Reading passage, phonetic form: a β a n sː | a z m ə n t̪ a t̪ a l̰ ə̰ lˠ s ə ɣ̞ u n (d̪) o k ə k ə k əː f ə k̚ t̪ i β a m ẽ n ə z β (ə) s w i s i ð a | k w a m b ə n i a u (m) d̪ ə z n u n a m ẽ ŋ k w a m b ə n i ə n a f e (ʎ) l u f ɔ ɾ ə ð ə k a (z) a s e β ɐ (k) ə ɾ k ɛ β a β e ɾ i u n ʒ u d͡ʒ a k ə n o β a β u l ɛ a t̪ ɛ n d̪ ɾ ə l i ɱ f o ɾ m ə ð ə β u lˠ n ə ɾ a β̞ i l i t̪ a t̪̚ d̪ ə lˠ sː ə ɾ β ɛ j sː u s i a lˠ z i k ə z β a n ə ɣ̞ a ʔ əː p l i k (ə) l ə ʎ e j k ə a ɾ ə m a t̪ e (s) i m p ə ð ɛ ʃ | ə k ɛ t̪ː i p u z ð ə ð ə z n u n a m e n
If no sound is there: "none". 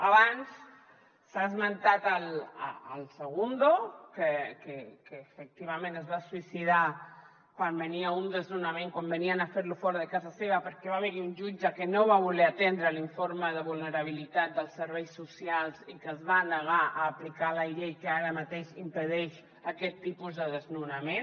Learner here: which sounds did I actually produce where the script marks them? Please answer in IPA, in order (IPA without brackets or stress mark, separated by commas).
d̪, a, n, ɾ, z, p, a, ʃ